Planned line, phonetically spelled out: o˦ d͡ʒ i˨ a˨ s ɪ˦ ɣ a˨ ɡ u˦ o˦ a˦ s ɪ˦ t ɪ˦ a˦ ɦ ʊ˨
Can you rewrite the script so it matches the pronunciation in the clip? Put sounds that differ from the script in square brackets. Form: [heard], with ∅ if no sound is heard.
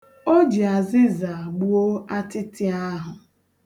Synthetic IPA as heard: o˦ d͡ʒ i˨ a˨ [z] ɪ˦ [z] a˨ [ɡ͡b] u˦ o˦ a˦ [t] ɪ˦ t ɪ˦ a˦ ɦ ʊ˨